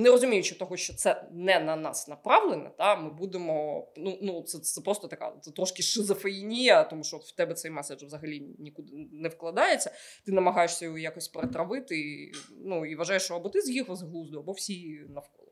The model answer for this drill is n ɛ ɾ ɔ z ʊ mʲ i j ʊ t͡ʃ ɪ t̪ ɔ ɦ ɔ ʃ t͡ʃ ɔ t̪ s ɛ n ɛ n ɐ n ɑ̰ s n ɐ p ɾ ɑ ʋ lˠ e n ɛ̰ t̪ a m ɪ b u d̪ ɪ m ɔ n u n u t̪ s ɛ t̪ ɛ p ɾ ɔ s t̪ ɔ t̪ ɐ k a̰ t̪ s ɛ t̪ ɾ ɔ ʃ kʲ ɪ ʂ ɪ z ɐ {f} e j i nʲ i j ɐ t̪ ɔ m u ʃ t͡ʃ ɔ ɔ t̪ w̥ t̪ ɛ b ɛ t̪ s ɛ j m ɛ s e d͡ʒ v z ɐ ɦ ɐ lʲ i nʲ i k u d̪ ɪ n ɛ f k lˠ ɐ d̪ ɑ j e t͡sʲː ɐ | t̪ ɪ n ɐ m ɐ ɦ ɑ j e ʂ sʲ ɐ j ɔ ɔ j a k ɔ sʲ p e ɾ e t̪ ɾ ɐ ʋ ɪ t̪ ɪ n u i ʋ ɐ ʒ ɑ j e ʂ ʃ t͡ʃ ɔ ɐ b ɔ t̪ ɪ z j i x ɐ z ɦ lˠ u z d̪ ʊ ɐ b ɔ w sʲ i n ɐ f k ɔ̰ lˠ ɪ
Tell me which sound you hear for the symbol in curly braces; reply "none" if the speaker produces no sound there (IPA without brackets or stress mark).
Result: f